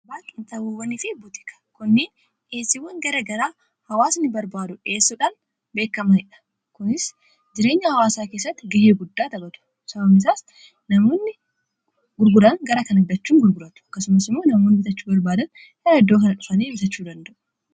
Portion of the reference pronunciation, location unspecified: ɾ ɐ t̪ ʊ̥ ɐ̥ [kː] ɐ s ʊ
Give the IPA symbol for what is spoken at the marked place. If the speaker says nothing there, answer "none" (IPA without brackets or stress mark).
kː